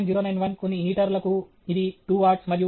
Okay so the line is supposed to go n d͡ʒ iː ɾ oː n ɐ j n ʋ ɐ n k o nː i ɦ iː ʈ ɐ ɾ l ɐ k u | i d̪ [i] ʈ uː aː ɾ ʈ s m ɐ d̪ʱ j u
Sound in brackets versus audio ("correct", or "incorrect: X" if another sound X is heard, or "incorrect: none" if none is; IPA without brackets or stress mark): correct